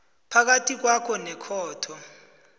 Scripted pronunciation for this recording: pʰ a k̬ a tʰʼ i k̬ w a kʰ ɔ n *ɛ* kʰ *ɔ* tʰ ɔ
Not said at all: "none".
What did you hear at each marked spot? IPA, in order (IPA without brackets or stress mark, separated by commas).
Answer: ɛ, ɔː